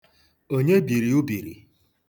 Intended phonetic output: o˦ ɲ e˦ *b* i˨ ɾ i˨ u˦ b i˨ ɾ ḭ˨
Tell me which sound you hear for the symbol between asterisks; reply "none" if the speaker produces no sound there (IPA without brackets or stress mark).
b